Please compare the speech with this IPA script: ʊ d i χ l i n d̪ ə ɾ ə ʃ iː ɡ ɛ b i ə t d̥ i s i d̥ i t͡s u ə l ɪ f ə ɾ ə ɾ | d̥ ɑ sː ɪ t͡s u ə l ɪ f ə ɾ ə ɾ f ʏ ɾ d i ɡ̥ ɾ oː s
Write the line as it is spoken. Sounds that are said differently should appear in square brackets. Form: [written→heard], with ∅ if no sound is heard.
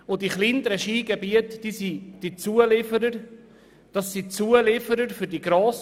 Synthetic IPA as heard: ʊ d i χ l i n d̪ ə ɾ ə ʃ iː ɡ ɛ b i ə t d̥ i s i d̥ i t͡s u ə l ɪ f ə ɾ ə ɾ | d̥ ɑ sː [ɪ→i] t͡s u ə l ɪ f ə ɾ ə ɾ f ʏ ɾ d i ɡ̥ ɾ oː s